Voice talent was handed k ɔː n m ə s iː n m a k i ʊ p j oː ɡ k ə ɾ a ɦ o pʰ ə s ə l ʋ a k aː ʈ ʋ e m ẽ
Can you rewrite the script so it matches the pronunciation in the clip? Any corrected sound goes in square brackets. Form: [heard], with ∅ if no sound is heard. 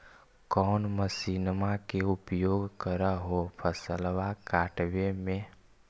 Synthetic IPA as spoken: k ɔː n m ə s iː n m a k [e] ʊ p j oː ɡ k ə ɾ a ɦ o pʰ ə s ə l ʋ a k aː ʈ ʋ e m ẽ